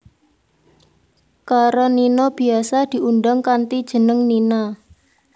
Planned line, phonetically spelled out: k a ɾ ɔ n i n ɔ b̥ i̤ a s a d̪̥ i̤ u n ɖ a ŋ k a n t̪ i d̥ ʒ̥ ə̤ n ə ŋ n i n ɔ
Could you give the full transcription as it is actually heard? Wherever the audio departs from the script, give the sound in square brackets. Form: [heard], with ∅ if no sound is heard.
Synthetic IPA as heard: k a ɾ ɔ n i n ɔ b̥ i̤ a s a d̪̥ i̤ u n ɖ a ŋ k a n t̪ i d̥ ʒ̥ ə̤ n ə ŋ n i n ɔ

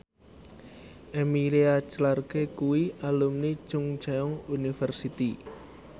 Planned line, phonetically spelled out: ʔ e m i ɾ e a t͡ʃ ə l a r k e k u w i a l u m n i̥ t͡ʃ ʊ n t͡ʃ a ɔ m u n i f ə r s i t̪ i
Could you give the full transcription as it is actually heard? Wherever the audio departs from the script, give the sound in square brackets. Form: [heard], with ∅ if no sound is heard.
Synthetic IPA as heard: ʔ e m i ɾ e a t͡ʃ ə l a r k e k u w i a l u m n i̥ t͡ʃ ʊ [ŋ] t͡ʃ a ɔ [ŋ] u n i f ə r s i t̪ i

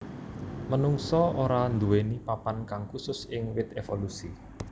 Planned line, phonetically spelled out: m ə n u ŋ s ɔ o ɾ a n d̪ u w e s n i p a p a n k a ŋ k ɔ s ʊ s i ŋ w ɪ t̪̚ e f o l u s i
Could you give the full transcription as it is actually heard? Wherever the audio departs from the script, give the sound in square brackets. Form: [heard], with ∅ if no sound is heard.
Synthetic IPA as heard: m ə n u ŋ s ɔ o ɾ a n d̪ u w e [∅] n i p a p a n k a ŋ k [u] s ʊ s [ɪ] ŋ w ɪ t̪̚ e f o l u s i

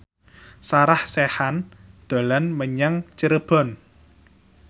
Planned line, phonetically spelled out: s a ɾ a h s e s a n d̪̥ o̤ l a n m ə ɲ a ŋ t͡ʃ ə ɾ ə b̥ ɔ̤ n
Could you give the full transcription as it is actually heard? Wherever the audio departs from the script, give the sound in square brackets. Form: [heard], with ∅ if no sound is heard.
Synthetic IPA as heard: s a ɾ a h s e [h] a n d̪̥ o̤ l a n m ə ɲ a ŋ t͡ʃ ə ɾ ə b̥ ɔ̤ n

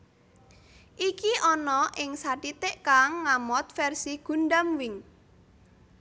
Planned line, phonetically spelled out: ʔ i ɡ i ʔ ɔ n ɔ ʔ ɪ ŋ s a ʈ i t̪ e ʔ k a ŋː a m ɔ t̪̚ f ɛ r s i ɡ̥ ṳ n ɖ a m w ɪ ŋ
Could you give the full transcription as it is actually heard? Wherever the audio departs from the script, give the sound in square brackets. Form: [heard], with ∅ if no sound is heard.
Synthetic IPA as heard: ʔ i [k] i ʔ ɔ n ɔ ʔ ɪ ŋ s a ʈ i t̪ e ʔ k a ŋː a m ɔ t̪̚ f ɛ r s i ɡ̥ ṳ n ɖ a m w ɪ ŋ

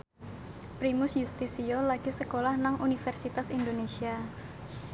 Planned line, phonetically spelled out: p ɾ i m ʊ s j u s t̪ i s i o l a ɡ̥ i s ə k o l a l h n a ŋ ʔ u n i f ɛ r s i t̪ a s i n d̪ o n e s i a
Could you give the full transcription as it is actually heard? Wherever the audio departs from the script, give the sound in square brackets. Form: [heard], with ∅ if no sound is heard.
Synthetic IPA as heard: p ɾ i m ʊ s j u s t̪ i s i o l a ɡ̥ i s ə k o l a [∅] h n a ŋ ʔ u n i f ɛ r s i t̪ a s i n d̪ o n e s i a

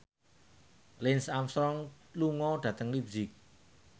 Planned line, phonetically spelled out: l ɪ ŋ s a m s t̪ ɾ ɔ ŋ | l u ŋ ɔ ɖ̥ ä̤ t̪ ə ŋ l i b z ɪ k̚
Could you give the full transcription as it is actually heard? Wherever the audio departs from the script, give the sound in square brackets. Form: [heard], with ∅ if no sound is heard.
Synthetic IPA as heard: l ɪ [n] s a m s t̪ ɾ ɔ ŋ | l u ŋ ɔ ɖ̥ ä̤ t̪ ə ŋ l i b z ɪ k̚

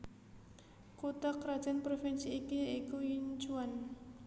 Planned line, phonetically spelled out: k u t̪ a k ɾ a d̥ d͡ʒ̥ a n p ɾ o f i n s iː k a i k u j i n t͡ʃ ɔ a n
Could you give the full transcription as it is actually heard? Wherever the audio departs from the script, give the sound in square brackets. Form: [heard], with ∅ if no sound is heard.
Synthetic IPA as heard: k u t̪ a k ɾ a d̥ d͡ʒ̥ a n p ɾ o f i n s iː k [i] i k u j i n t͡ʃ [u] a n

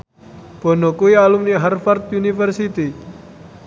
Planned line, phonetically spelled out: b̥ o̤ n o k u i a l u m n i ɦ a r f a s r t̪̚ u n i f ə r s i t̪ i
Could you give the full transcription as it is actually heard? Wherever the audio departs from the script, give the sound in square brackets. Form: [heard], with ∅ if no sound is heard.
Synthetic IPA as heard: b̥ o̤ n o k u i a l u m n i ɦ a r f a [∅] r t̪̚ u n i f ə r s i t̪ i

